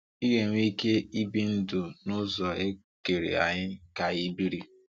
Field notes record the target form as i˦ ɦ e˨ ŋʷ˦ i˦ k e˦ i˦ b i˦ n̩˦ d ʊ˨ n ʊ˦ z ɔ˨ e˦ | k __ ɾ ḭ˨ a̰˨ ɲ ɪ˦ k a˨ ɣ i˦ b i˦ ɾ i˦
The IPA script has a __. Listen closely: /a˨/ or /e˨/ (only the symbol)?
e˨